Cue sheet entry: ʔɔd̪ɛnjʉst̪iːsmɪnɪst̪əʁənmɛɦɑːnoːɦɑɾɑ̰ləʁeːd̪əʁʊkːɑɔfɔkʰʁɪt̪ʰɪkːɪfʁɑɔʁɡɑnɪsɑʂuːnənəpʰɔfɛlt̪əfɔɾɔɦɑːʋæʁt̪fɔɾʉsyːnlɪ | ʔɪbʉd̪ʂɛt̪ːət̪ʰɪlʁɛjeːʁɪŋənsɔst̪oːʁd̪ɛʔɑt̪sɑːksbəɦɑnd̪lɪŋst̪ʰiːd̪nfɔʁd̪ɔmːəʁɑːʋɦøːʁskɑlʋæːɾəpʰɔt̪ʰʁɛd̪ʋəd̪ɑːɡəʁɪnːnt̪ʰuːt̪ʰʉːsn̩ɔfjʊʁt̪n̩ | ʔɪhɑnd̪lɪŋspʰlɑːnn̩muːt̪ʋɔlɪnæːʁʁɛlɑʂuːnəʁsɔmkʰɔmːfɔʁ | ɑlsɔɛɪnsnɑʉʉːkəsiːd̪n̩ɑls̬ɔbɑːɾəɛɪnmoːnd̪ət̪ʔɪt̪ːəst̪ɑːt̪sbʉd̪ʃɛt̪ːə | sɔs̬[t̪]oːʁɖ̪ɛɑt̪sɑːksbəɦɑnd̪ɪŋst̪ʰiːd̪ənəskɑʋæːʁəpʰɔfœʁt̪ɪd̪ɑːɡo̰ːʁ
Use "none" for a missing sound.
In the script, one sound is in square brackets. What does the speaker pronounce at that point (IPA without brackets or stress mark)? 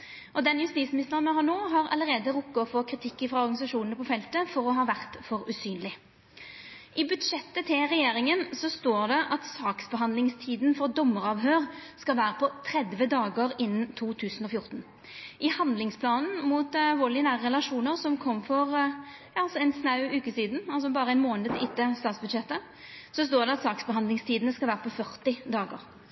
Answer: t̪